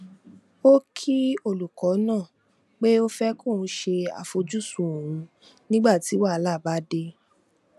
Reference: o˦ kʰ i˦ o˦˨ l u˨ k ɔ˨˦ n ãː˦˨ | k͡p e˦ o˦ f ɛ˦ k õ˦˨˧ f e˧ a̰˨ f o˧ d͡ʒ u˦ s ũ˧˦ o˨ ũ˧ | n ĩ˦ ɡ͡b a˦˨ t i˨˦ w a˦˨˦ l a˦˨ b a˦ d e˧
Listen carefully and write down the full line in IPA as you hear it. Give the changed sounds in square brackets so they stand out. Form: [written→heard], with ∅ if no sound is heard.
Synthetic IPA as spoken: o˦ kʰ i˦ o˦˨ l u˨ k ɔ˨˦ n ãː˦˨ | k͡p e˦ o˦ f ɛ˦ k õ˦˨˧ [f→ʃ] e˧ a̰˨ f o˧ d͡ʒ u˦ s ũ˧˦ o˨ ũ˧ | n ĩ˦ ɡ͡b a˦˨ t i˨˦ w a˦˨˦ l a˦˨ b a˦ d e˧

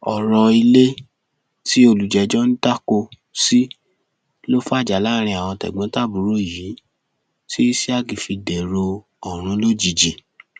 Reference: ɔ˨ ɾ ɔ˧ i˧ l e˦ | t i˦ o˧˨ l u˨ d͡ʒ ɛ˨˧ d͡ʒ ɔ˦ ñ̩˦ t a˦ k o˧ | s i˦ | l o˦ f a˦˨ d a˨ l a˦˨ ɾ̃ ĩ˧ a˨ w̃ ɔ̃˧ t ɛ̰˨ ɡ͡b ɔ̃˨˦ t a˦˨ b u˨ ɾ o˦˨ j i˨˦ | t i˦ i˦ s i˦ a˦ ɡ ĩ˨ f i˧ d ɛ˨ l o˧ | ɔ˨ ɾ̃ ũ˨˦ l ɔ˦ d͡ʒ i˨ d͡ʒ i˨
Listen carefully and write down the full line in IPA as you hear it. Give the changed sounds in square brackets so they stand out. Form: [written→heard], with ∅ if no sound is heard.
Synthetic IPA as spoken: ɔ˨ ɾ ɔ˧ i˧ l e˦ | t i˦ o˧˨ l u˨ d͡ʒ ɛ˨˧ d͡ʒ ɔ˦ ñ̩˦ t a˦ k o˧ | s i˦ | l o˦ f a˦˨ [d→d͡ʒ] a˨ l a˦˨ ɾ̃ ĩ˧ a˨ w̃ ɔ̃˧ t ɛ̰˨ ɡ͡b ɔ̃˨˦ t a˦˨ b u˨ ɾ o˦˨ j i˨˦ | t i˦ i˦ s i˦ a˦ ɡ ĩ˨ f i˧ d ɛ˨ [l→ɾ] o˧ | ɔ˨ ɾ̃ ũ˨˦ l [ɔ˦→o˦] d͡ʒ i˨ d͡ʒ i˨

